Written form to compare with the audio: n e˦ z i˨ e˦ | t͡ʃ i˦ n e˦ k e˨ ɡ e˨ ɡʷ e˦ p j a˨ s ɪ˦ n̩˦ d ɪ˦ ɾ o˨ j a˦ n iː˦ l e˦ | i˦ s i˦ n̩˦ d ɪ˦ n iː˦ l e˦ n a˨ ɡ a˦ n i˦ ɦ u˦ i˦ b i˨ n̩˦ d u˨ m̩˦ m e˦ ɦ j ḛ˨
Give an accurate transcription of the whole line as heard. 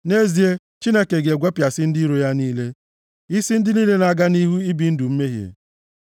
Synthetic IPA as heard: n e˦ z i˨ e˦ | t͡ʃ i˦ n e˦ k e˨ ɡ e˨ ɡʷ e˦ p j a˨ s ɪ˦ n̩˦ d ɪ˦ ɾ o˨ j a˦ n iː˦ l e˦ | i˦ s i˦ n̩˦ d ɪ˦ n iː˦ l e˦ n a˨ ɡ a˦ n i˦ ɦ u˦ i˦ b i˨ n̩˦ d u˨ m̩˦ m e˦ ɦ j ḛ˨